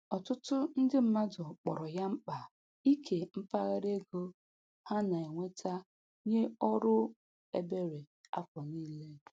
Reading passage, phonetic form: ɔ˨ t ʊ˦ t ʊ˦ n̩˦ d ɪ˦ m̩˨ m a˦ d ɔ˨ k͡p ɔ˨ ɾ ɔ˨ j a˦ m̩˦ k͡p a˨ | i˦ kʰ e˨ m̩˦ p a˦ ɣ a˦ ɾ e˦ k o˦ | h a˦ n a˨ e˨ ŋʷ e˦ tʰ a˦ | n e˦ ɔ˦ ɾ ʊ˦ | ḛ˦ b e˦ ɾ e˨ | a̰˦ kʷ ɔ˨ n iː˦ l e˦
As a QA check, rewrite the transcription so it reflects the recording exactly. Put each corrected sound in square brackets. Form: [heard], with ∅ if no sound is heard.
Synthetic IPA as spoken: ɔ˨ t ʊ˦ t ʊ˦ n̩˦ d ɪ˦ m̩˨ m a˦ d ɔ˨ k͡p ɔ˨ ɾ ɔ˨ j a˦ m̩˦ k͡p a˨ | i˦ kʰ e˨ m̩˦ p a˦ ɣ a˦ ɾ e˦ [ɡ] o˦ | h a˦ n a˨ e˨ ŋʷ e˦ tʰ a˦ | [ɲ] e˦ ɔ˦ ɾ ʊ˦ | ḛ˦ b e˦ ɾ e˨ | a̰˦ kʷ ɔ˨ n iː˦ l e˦